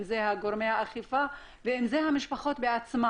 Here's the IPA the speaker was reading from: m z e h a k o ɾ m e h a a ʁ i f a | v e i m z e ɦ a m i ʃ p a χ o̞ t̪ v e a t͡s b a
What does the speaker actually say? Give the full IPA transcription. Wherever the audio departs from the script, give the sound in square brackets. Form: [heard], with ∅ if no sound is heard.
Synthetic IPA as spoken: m z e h a [ɡ] o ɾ m e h a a [χ] i f a | v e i m z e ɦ a m i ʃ p a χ o̞ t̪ [b] e a t͡s [m] a